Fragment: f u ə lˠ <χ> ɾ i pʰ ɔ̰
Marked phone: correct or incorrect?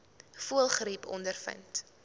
correct